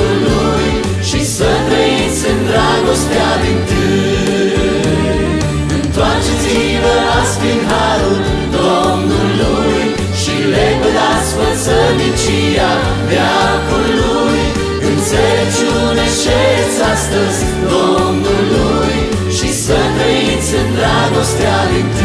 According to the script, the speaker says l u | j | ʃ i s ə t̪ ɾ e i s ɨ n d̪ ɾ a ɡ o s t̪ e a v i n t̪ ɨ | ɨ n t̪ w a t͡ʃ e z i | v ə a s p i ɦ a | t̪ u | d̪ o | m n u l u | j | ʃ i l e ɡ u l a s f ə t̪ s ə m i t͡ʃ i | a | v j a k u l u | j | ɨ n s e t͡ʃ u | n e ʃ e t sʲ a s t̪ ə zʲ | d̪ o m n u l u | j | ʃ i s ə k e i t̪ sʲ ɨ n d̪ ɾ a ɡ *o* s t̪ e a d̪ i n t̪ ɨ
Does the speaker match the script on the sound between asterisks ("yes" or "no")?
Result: yes